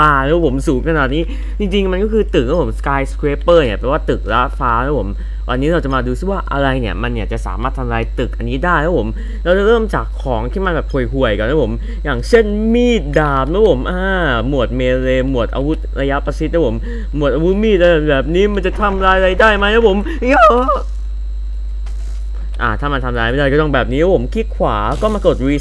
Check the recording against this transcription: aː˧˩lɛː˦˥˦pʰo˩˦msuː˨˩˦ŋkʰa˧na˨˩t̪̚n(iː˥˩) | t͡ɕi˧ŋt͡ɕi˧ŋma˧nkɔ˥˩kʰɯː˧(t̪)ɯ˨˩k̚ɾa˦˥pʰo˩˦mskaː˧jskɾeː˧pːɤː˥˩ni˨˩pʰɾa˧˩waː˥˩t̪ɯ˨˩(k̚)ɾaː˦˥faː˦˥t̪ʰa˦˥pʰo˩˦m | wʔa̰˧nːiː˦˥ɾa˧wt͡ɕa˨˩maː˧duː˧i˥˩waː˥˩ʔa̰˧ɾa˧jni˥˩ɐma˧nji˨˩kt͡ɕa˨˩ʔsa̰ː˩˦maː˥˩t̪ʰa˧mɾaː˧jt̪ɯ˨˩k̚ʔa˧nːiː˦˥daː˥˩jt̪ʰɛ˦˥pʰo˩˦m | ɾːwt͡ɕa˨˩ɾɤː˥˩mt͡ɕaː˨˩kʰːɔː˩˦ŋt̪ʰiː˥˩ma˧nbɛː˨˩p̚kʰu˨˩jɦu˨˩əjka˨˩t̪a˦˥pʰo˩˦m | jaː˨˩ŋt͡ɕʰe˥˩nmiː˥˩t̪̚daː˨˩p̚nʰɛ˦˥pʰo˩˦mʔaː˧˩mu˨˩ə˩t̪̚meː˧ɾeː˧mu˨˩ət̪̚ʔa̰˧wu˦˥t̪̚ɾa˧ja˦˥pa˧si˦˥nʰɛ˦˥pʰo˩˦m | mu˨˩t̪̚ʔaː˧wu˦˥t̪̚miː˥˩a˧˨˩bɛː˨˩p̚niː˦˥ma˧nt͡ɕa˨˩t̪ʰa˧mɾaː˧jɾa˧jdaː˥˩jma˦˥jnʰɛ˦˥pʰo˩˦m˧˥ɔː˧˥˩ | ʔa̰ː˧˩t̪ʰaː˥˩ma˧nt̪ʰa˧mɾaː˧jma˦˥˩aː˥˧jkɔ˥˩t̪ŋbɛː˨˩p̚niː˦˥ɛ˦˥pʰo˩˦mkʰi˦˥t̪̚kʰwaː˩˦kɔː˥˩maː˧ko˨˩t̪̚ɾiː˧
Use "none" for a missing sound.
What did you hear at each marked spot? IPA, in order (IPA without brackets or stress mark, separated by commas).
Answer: iː˦˥, t̪, k̚